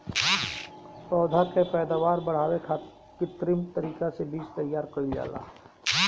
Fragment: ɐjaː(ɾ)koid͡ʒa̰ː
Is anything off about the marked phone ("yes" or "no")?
no